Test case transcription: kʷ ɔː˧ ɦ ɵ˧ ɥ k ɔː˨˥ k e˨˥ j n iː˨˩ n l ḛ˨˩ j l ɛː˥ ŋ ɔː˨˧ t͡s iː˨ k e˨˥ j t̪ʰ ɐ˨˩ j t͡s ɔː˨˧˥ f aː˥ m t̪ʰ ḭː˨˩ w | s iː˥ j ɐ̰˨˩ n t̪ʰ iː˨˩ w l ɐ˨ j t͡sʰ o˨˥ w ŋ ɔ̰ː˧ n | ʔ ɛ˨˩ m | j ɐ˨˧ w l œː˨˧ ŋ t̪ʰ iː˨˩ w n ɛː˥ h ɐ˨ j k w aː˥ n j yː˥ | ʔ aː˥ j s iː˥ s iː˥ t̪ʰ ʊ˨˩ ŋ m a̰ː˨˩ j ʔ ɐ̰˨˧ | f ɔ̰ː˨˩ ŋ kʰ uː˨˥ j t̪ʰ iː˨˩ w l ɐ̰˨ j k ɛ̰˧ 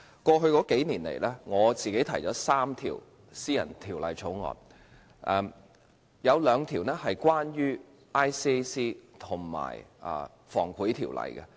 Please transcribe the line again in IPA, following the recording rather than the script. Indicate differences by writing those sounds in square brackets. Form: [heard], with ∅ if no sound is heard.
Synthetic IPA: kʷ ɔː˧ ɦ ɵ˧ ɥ k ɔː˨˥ k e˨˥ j n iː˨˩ n l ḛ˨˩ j l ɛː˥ ŋ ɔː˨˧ t͡s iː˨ k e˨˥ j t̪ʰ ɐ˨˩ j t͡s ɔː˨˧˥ [s] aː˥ m t̪ʰ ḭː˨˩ w | s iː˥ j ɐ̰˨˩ n t̪ʰ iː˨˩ w l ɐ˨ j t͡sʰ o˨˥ w ŋ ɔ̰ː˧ n | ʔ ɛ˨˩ m | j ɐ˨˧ w l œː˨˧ ŋ t̪ʰ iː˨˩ w n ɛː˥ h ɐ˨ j k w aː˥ n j yː˥ | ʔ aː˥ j s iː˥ s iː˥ t̪ʰ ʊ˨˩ ŋ m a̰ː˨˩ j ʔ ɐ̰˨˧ | f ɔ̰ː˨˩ ŋ kʰ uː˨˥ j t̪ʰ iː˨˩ w l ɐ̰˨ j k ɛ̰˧